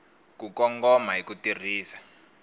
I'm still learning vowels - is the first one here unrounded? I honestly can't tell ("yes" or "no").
no